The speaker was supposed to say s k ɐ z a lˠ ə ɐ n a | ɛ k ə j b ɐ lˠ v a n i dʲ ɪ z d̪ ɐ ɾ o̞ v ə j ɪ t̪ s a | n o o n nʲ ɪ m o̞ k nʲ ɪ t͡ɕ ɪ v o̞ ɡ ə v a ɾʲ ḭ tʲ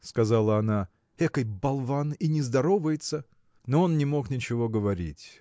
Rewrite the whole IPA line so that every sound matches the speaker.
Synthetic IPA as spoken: s k ɐ z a lˠ ə ɐ n a | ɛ k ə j b ɐ lˠ v a n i nʲ ɪ z d̪ ɐ ɾ o̞ v ə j ɪ t̪ s ə | n o o n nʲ ɪ m o̞ k nʲ ɪ t͡ɕ ɪ v o̞ ɡ ə v ɐ ɾʲ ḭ tʲ